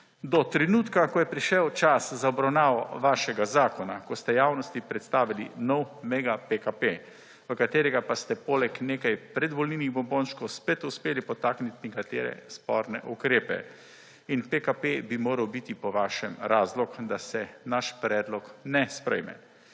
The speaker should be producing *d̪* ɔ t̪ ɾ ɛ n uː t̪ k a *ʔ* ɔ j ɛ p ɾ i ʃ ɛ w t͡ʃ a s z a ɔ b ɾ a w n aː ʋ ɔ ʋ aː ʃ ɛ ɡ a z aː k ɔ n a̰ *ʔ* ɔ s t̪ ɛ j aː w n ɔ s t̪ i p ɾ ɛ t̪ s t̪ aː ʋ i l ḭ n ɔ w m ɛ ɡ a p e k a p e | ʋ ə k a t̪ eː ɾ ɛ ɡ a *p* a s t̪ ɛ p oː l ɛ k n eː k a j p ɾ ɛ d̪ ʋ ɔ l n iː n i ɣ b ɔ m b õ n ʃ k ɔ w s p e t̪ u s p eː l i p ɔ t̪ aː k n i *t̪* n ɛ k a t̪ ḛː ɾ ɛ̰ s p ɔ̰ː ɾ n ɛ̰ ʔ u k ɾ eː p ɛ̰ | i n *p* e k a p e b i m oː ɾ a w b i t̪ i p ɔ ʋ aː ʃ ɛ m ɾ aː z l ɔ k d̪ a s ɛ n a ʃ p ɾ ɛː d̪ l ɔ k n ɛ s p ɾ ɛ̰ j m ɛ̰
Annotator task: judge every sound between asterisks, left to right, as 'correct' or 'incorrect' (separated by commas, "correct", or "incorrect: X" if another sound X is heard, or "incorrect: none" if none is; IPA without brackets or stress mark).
correct, incorrect: k, incorrect: k, correct, correct, correct